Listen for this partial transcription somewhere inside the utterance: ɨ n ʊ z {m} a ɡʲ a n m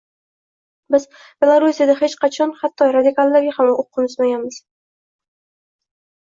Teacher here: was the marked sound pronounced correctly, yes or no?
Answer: yes